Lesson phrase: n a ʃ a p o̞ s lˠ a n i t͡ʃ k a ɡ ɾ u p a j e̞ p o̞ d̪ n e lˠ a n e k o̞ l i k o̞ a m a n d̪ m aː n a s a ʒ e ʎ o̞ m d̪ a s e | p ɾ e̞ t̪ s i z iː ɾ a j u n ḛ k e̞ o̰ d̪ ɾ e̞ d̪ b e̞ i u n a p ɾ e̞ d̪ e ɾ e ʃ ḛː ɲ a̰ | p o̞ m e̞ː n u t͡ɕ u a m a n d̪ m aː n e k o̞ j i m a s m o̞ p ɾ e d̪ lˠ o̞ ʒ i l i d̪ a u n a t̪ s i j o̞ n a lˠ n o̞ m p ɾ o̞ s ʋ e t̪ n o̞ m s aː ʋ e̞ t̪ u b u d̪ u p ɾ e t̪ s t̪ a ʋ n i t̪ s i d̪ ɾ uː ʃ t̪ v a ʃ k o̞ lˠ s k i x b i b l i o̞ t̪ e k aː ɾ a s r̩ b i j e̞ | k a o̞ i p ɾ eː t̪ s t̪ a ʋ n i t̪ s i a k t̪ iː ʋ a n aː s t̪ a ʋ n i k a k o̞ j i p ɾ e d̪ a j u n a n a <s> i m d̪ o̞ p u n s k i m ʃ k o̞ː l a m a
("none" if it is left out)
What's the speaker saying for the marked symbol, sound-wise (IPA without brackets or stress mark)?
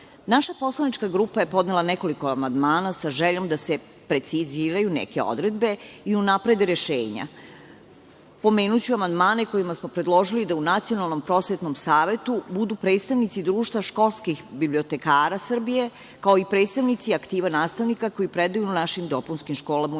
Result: ʃ